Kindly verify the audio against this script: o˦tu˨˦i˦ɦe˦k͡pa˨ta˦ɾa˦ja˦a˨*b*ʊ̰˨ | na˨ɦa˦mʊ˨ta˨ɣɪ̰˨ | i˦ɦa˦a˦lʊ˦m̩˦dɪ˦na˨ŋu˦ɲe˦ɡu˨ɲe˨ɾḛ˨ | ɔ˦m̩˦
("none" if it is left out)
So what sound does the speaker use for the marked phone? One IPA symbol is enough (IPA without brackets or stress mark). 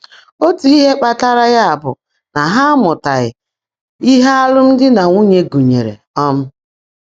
b